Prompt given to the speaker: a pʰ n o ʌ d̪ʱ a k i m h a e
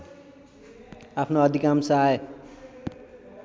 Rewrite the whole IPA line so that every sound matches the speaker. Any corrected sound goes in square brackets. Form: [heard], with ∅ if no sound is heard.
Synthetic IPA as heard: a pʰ n o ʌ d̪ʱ [i] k [a] m [s] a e